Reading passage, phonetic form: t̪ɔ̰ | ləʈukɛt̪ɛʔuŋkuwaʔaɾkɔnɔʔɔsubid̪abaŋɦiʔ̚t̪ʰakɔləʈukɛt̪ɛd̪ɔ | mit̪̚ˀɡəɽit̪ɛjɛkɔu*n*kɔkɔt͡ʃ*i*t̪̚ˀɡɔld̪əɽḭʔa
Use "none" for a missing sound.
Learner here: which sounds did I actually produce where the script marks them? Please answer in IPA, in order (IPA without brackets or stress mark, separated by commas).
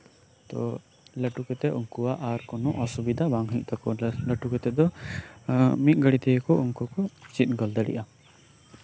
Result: ŋ, i